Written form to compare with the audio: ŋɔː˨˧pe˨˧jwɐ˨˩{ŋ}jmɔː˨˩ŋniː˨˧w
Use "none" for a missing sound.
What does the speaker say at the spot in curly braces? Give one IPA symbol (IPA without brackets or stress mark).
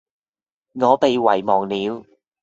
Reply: none